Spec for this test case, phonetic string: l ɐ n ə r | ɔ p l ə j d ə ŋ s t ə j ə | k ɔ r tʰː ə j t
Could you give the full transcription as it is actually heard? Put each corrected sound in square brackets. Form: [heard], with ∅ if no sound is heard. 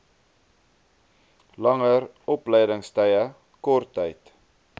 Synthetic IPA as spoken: l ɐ [ŋ] ə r | ɔ p l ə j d ə ŋ s t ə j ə | k ɔ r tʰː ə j t